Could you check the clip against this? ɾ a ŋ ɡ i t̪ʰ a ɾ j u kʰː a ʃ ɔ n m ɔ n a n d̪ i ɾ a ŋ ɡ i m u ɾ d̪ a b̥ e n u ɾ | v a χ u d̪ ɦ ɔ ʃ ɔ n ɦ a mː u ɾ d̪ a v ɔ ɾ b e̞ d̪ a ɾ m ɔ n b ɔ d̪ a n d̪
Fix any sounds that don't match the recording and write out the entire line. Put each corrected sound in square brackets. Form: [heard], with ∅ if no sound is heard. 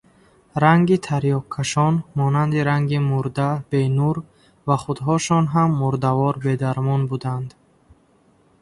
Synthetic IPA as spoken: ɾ a ŋ ɡ i t̪ʰ a ɾ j [ɔ] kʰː a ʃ ɔ n m ɔ n a n d̪ i ɾ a ŋ ɡ i m u ɾ d̪ a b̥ e n u ɾ | v a χ u d̪ ɦ ɔ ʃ ɔ n ɦ a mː u ɾ d̪ a v ɔ ɾ b e̞ d̪ a ɾ m ɔ n b [u] d̪ a n d̪